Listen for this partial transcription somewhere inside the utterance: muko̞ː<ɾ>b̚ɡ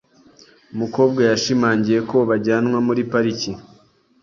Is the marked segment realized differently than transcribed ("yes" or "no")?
yes